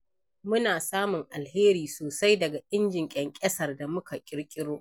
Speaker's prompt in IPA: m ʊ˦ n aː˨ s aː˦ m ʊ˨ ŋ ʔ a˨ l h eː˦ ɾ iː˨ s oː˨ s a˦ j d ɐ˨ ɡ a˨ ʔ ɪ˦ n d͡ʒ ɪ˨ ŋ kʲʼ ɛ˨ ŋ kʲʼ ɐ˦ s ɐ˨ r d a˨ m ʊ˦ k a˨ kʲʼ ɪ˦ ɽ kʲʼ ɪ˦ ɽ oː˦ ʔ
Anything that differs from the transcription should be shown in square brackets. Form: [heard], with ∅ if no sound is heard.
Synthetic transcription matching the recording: m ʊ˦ n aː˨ s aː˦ m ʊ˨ ŋ ʔ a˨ l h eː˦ ɾ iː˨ s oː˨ s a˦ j d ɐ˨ ɡ a˨ ʔ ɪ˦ n d͡ʒ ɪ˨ ŋ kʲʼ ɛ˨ ŋ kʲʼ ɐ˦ s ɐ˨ r d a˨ m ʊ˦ k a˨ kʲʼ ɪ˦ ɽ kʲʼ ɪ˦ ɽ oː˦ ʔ